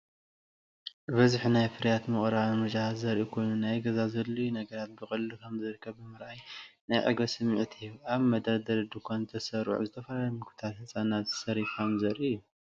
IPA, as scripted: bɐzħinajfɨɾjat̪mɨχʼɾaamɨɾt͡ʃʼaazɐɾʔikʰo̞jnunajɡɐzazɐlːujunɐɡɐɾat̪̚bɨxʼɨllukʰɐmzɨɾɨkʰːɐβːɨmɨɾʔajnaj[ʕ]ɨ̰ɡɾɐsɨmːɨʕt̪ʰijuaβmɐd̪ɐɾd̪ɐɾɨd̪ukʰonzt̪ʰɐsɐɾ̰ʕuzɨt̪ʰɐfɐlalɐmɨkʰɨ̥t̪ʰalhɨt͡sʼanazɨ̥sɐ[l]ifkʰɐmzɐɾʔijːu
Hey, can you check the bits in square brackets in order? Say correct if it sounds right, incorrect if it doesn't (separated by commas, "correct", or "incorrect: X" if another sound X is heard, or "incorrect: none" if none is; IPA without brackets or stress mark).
correct, incorrect: ɾ